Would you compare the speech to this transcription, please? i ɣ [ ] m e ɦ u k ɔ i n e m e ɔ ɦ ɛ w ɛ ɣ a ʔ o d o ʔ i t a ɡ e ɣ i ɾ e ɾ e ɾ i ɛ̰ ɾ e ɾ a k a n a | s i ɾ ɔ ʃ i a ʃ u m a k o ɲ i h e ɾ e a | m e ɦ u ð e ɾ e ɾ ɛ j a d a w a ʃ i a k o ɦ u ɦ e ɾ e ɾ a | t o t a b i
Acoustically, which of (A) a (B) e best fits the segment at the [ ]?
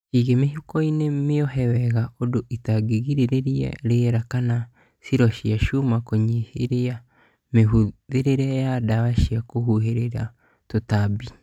B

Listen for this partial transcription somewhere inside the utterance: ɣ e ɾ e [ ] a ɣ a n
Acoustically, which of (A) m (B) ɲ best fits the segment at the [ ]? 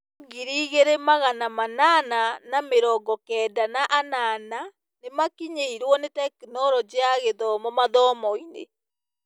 A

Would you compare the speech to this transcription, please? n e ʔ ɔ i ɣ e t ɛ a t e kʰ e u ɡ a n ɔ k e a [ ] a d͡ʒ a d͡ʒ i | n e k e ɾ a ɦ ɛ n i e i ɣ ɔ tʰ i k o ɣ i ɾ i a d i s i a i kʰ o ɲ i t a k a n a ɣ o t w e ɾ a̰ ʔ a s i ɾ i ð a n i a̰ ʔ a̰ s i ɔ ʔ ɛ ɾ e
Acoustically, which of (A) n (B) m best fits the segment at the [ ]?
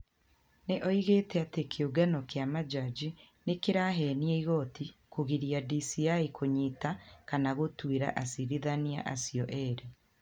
B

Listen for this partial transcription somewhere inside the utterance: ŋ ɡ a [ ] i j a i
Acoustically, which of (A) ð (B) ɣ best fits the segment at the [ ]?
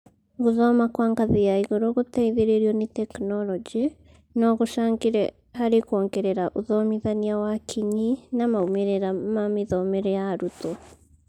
A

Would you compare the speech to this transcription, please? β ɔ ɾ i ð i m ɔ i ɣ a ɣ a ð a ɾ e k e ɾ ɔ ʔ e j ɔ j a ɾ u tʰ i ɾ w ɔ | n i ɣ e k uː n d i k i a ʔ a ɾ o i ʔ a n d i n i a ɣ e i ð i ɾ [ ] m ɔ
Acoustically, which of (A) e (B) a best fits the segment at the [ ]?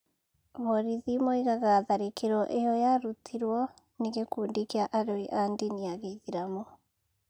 B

